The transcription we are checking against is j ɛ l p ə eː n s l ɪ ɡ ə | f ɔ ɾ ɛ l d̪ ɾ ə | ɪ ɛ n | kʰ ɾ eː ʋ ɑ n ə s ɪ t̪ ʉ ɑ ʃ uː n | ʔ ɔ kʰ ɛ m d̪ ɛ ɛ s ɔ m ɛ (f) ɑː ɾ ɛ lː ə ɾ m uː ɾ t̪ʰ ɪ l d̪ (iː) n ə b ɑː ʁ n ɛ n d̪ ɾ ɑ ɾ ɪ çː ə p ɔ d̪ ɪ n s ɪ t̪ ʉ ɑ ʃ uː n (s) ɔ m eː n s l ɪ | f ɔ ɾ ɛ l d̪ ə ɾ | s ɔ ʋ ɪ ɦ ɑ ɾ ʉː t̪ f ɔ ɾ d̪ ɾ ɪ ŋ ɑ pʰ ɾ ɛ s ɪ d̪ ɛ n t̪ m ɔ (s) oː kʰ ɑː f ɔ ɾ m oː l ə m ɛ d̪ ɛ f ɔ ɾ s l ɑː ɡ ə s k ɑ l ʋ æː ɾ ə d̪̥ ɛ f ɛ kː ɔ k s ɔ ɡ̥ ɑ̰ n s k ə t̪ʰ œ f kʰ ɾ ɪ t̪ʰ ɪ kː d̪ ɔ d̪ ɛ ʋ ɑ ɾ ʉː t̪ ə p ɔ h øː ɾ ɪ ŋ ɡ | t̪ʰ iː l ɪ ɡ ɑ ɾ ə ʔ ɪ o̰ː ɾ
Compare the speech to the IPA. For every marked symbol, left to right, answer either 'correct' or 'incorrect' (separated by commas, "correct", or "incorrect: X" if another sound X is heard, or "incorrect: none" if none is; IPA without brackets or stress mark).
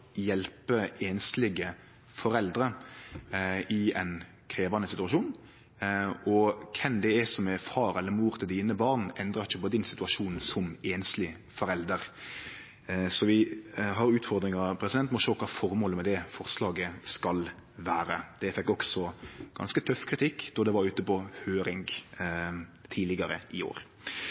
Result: correct, correct, correct, incorrect: ʃ